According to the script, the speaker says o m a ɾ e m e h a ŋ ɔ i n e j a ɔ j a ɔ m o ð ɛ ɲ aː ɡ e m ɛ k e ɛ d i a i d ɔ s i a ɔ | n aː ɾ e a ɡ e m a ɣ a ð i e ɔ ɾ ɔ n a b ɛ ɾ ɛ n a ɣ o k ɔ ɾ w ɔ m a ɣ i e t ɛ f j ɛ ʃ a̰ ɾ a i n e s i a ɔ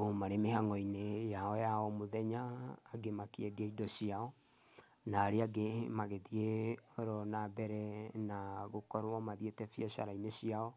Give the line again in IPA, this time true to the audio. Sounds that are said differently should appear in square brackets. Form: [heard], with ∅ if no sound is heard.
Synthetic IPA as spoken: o m a ɾ e m e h a ŋ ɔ i n e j a ɔ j a ɔ m o ð ɛ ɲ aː ɡ e m [a] k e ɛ d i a i d ɔ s i a ɔ | n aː ɾ e a ɡ e m a ɣ [e] ð i e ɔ ɾ ɔ n a b ɛ ɾ ɛ n a ɣ o k ɔ ɾ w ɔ m a [ð] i e t ɛ f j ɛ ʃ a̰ ɾ a i n e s i a ɔ